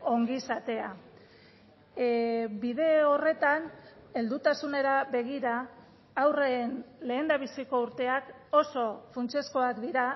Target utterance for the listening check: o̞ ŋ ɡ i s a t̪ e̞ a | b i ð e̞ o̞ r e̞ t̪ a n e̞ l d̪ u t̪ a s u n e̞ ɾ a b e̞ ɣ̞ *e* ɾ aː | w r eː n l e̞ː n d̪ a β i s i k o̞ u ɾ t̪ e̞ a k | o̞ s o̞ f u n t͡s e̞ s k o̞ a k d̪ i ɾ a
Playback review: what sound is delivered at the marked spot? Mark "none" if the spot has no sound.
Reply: i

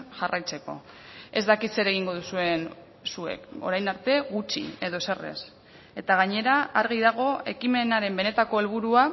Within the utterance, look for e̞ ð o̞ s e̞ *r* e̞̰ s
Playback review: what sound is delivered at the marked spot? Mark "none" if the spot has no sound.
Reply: r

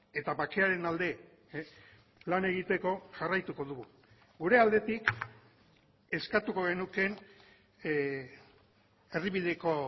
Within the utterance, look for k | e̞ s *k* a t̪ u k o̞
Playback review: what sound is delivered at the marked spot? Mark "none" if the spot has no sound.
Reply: k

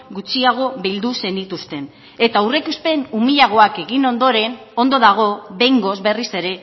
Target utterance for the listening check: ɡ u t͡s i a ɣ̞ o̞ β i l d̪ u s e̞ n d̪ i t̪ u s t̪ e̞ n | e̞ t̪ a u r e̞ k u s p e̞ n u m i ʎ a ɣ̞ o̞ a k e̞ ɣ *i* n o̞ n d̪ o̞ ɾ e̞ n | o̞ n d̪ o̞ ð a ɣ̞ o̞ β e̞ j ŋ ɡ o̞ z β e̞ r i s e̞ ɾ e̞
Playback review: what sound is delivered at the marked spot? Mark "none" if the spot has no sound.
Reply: i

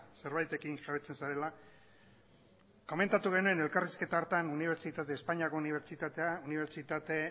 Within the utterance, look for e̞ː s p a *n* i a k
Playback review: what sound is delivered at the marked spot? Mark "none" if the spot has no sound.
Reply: ɲ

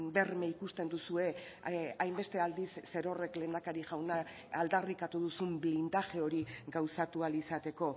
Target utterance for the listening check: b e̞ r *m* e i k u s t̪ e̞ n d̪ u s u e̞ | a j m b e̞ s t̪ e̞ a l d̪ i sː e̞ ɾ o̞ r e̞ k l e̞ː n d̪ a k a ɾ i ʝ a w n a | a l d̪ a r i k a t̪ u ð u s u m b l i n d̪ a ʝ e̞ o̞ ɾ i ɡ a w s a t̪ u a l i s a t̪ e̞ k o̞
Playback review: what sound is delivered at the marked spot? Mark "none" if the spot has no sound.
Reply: m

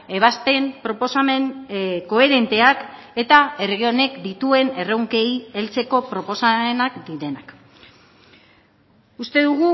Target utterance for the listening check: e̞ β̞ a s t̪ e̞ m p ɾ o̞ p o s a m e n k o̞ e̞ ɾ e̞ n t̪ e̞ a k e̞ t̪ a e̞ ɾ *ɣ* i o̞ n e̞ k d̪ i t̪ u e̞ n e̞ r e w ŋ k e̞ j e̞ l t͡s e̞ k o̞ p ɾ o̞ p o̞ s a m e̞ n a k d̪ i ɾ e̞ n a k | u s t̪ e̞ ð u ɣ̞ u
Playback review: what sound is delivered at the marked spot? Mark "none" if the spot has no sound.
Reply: ɣ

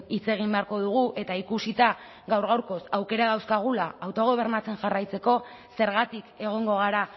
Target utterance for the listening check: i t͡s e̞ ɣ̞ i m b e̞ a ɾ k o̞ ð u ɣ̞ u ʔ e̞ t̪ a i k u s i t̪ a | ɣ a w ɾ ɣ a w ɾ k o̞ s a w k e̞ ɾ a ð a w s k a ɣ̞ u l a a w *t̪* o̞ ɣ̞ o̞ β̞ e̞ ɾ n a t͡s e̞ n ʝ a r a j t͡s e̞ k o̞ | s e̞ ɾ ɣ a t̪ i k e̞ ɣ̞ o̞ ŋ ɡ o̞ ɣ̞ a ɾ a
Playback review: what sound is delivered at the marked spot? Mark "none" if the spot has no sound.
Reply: t̪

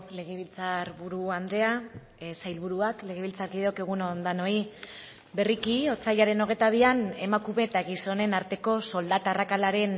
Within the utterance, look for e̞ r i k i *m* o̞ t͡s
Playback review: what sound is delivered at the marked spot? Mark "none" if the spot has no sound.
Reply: none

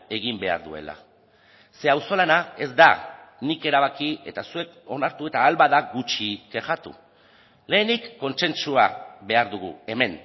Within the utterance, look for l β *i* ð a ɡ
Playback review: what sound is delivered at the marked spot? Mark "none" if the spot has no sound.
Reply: a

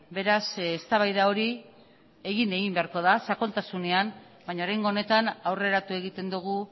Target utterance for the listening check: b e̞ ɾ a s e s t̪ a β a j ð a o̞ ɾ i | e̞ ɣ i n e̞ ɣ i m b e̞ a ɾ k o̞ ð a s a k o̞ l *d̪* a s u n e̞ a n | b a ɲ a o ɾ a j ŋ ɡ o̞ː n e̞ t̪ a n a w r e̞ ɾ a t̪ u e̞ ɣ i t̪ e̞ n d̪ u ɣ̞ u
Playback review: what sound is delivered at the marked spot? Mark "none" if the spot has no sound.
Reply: t̪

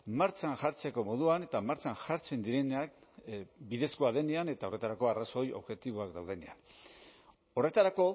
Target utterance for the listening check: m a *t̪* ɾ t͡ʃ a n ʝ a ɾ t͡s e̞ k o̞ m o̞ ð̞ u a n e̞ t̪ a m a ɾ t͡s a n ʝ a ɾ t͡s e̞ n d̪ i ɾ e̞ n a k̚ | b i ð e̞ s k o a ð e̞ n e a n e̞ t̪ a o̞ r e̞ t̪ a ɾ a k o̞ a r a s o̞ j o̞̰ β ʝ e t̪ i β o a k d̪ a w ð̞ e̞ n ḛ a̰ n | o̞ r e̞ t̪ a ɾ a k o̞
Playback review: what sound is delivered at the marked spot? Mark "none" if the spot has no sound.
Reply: none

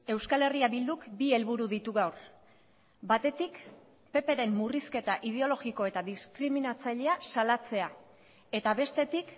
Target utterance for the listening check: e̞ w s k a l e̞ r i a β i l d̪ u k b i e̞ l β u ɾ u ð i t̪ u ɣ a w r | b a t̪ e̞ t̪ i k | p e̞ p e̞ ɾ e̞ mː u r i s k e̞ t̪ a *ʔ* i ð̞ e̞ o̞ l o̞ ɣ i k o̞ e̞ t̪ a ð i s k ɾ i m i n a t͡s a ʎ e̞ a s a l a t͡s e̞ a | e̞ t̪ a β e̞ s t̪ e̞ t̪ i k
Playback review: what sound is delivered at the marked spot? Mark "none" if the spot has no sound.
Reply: ʔ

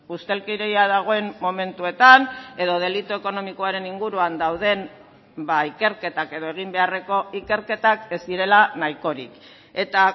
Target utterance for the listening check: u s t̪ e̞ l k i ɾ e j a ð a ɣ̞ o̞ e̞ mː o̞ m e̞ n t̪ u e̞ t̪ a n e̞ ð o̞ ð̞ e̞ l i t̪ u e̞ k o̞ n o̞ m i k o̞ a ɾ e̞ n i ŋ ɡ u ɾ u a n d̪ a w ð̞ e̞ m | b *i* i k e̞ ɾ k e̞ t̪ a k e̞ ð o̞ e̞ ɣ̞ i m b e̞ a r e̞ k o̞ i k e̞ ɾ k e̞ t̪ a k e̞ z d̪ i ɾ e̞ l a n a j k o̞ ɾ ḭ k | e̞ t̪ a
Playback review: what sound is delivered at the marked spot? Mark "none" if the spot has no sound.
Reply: a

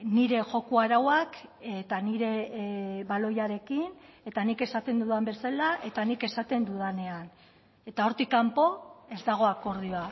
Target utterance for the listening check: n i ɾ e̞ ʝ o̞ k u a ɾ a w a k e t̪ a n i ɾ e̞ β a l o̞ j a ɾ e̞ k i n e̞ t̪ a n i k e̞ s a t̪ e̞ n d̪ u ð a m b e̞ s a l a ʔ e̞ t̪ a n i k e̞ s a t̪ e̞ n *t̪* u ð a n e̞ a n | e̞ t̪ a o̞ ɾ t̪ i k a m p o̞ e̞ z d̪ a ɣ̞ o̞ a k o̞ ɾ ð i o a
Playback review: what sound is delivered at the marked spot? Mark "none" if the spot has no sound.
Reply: d̪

